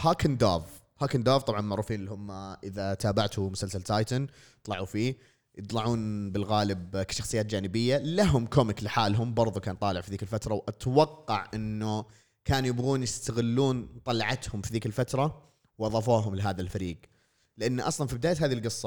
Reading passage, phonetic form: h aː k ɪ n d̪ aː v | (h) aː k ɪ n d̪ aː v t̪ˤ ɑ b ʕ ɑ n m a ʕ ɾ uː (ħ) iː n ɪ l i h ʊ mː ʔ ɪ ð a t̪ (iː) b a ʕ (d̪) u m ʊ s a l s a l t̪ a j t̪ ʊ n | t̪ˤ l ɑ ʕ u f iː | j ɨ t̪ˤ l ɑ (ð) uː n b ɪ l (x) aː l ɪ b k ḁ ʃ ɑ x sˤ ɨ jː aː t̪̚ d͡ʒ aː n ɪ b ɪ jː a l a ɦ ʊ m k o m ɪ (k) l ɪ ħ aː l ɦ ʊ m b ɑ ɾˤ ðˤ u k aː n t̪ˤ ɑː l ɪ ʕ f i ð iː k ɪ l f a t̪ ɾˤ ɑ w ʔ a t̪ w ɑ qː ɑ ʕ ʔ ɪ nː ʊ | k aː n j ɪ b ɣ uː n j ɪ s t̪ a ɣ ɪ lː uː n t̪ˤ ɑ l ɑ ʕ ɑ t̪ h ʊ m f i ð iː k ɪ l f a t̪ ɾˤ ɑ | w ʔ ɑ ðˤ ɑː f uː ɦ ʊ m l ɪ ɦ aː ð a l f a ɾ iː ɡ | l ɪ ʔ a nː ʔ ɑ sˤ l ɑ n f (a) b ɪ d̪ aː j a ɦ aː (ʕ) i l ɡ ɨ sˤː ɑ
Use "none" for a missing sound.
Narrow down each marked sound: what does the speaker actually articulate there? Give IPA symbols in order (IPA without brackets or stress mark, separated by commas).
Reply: h, f, aː, t̪, ʕ, ɣ, k, i, ð